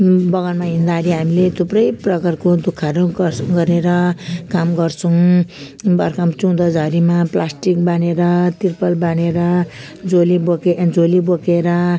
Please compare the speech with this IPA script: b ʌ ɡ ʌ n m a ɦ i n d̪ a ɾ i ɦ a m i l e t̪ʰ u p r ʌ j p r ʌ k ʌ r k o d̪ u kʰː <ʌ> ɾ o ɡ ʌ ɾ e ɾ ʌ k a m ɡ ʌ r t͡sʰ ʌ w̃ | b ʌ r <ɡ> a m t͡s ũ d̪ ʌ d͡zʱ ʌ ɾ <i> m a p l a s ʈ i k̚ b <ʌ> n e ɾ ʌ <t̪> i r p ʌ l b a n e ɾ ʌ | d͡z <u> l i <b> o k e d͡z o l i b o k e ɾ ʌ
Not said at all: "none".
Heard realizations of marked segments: a, k, i, a, t̪, o, b

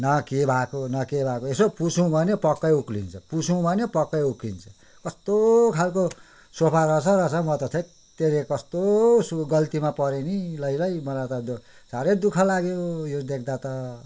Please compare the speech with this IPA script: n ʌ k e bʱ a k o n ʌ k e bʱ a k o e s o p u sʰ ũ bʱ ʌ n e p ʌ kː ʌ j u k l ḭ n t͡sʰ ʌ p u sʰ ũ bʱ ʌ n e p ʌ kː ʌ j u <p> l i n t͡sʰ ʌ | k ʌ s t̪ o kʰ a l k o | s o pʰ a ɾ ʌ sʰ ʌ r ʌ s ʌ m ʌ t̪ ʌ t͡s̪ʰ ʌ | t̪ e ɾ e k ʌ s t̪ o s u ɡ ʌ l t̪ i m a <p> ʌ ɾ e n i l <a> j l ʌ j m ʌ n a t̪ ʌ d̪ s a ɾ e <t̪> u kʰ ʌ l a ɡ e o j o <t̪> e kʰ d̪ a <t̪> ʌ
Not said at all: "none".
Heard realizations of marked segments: k, p, ʌ, d̪, d̪, t̪

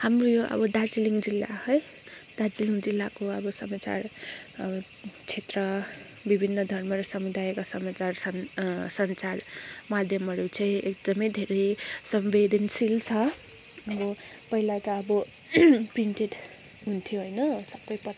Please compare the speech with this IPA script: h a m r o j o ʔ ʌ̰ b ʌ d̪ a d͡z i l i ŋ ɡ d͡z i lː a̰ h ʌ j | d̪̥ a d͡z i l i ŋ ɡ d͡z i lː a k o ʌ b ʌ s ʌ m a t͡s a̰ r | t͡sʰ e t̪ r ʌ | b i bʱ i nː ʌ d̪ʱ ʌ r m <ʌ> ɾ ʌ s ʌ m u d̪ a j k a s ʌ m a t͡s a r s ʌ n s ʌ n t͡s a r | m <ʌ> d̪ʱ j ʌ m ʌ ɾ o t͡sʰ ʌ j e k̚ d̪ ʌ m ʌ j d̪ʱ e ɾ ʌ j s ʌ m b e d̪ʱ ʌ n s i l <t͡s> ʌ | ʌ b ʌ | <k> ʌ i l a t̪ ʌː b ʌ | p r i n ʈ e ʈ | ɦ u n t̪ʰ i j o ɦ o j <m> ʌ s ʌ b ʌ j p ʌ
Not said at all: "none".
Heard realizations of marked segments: ʌ, a, t͡sʰ, p, n

